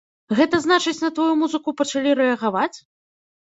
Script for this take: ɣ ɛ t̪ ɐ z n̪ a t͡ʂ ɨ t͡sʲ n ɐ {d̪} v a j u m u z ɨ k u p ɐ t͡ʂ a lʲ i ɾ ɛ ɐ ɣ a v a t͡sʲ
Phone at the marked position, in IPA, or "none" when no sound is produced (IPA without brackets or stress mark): t̪